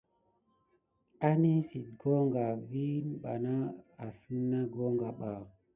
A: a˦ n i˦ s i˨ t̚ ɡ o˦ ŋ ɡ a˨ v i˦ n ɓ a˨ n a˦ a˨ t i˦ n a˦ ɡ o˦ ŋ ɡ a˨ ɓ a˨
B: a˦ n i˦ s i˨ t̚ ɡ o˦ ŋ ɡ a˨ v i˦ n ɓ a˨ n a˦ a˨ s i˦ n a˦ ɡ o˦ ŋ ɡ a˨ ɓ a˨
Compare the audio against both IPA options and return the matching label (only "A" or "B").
B